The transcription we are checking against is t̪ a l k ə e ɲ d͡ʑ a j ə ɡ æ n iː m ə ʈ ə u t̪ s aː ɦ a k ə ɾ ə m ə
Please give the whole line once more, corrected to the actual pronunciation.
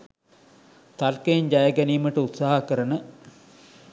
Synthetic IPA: t̪ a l k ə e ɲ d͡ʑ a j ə ɡ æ n iː m ə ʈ ə u t̪ s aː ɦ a k ə ɾ ə n ə